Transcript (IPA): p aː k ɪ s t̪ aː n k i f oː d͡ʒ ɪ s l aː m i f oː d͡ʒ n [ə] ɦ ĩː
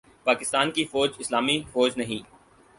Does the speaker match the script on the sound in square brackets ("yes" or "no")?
no